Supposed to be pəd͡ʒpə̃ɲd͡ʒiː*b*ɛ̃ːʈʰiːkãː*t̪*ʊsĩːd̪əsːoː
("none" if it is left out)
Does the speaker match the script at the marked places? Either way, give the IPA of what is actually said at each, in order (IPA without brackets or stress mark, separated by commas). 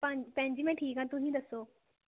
m, t̪